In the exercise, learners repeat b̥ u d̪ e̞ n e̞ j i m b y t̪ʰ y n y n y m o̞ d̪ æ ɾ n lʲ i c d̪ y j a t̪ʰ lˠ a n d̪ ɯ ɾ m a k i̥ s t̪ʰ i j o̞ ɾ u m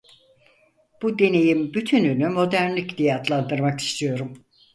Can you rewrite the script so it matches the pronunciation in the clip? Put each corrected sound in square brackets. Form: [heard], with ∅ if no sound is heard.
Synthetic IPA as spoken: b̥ u d̪ e̞ n e̞ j i m b y t̪ʰ y n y n y m o̞ d̪ æ ɾ n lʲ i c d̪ [i] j a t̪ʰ lˠ a n d̪ ɯ ɾ m a k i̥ s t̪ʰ i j o̞ ɾ u m